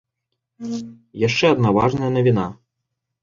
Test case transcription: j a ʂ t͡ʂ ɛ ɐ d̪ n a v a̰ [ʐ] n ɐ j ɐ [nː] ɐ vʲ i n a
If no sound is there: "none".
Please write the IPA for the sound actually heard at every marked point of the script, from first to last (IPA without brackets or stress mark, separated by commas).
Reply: ʐ, n